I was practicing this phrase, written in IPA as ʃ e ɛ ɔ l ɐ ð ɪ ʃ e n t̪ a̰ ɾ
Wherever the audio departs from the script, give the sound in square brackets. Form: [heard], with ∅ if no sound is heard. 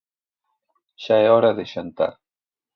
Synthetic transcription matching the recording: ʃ [a] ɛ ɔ [ɾ] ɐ ð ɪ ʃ [a] n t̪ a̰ ɾ